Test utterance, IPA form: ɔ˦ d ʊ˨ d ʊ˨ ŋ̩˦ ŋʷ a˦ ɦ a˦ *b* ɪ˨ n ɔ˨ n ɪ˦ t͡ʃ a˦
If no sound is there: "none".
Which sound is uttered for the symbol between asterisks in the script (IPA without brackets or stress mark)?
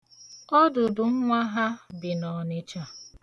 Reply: b